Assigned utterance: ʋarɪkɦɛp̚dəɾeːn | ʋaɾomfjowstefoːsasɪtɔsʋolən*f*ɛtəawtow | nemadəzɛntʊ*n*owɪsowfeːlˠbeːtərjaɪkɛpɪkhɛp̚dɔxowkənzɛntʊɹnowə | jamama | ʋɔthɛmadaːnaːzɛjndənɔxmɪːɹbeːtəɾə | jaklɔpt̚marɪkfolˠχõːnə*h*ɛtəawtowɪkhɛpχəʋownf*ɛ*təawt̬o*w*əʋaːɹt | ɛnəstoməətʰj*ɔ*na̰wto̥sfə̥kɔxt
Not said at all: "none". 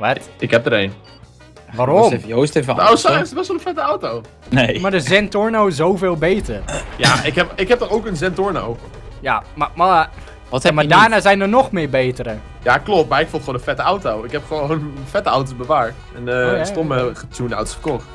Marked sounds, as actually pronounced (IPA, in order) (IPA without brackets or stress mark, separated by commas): f, n, f, ɛ, b, u